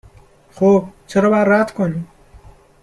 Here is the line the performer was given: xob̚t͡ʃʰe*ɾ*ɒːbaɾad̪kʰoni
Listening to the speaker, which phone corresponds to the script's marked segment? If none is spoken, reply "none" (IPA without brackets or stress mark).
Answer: ɾ